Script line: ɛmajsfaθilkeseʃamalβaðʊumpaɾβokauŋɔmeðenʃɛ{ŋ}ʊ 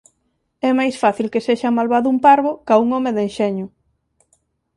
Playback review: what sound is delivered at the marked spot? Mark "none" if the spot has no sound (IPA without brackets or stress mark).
ɲ